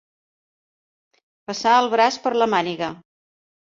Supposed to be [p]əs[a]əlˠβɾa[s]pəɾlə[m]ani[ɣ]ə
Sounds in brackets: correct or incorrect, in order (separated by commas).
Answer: correct, correct, correct, correct, correct